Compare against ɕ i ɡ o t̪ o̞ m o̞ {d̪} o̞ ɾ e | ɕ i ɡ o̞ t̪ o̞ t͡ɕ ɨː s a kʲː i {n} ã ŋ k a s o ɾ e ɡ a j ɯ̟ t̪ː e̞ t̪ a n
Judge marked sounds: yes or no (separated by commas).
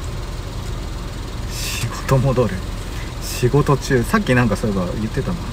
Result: yes, yes